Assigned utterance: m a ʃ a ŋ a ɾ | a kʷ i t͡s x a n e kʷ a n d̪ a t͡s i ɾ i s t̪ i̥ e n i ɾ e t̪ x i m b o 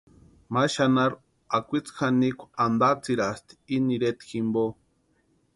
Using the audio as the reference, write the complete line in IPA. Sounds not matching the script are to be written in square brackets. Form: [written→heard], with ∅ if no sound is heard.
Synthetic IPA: m a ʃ a [ŋ→n] a ɾ | a kʷ i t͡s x a n [e→i] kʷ a n d̪ a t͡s i ɾ [i→a] s t̪ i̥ [e→i] n i ɾ e t̪ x i m b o

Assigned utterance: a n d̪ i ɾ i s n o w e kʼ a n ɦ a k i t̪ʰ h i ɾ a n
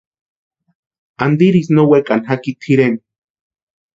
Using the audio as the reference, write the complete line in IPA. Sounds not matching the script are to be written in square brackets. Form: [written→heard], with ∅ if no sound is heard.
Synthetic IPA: a n d̪ i ɾ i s n o w e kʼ a n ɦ a k i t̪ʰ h i ɾ [a→e] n

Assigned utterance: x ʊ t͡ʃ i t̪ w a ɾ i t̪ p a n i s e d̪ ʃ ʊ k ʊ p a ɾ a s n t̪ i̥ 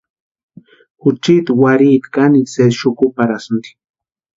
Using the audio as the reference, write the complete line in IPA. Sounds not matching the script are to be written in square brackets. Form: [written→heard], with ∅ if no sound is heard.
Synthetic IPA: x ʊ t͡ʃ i t̪ w a ɾ i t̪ [p→k] a n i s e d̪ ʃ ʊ k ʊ p a ɾ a s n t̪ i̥

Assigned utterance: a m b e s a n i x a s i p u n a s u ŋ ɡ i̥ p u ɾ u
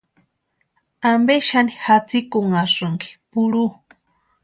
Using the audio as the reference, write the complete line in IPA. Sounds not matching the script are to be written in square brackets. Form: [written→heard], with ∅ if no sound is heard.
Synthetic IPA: a m b e [s→ʃ] a n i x a [s→t͡s] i [p→k] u [n→ŋ] a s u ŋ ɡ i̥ p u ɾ u

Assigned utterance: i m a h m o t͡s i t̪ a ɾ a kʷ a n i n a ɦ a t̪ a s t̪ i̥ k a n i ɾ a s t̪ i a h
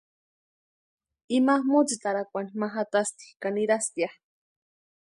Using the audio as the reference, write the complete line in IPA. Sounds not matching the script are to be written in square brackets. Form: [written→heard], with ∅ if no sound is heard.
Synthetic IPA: i m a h m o t͡s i t̪ a ɾ a kʷ a n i [n→m] a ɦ a t̪ a s t̪ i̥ k a n i ɾ a s t̪ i a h

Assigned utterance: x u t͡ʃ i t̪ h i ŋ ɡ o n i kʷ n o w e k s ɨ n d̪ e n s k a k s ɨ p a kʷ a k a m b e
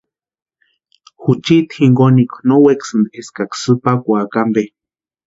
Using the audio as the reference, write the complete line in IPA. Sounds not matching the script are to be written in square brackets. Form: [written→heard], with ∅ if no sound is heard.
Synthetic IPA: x u t͡ʃ i t̪ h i ŋ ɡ o n i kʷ n o w e k s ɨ n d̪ e [n→∅] s k a k s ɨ p a kʷ a k a m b e

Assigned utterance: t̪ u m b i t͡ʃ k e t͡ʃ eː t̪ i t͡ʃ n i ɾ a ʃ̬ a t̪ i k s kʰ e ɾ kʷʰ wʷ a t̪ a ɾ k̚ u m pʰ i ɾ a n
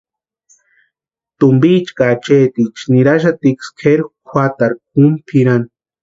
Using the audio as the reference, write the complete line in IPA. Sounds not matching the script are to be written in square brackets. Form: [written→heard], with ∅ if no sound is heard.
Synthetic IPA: t̪ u m b i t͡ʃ k [e→a] t͡ʃ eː t̪ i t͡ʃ n i ɾ a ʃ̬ a t̪ i k s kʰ e ɾ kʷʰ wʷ a t̪ a ɾ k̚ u m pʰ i ɾ a n

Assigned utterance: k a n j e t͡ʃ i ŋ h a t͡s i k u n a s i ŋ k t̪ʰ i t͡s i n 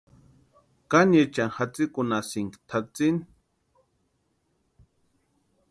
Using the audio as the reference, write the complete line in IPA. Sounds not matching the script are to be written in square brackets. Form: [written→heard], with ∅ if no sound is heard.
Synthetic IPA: k a n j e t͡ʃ [i→a] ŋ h a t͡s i k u n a s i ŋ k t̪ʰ [i→a] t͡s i n

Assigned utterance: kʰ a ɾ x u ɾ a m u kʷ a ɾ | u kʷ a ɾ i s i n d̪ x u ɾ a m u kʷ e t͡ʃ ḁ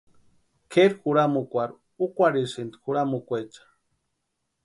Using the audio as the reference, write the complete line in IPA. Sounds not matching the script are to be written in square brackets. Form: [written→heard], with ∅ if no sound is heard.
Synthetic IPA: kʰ [a→e] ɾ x u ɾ a m u kʷ a ɾ | u kʷ a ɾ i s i n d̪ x u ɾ a m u kʷ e t͡ʃ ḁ

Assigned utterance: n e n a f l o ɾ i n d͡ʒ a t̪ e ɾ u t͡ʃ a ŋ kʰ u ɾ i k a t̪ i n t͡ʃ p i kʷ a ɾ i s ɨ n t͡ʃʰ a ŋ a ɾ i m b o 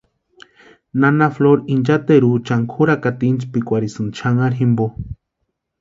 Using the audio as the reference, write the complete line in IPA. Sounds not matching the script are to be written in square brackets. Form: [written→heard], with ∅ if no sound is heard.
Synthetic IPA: n [e→a] n a f l o ɾ i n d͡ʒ a t̪ e ɾ u t͡ʃ a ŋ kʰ u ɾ [i→a] k a t̪ i n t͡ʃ p i kʷ a ɾ i s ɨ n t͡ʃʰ a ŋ a ɾ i m b o

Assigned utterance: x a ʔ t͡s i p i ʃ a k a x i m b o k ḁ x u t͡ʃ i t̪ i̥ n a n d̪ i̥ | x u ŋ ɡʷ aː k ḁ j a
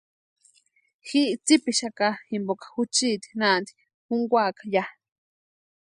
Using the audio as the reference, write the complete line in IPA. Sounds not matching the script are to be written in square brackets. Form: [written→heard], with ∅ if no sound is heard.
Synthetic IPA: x [a→i] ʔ t͡s i p i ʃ a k a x i m b o k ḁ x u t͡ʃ i t̪ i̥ n a n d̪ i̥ | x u ŋ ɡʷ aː k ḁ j a

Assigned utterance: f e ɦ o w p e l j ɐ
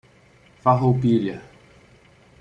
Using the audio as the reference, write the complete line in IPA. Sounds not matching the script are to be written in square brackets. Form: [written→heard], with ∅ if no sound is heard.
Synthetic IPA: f [e→a] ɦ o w p [e→i] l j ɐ

